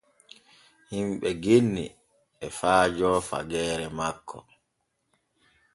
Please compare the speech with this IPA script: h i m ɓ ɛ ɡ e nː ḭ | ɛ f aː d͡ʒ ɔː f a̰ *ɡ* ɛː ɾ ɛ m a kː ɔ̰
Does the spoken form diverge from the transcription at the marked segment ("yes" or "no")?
no